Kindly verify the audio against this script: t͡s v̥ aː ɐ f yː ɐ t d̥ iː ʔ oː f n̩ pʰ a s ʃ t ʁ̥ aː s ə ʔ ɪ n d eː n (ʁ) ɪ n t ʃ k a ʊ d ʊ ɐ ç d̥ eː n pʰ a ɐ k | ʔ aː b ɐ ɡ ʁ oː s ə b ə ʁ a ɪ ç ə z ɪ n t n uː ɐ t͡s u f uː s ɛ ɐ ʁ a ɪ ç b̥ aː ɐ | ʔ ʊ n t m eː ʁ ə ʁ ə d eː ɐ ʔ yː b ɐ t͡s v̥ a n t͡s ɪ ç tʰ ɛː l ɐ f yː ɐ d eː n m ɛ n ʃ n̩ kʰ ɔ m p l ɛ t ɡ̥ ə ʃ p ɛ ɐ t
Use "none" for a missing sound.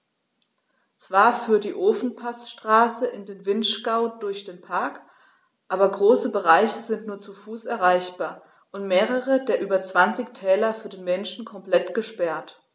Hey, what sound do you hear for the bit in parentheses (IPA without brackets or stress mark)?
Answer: v